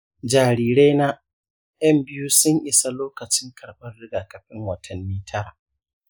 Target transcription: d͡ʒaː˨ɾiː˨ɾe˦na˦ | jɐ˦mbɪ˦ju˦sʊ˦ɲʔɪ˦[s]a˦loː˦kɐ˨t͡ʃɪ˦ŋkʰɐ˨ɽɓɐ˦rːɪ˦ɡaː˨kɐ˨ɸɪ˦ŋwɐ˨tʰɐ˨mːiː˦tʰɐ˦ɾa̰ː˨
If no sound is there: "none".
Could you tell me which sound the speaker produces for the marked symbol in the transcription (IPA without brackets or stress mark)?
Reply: s